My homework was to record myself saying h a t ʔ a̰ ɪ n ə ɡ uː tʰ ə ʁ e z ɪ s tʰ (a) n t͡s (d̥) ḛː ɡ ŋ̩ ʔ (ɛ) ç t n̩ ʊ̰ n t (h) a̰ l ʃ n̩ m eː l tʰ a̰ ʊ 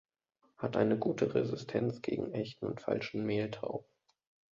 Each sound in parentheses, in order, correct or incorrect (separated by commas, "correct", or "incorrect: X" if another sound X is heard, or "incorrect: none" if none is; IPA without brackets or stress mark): incorrect: ɛ, incorrect: ɡ̥, correct, incorrect: f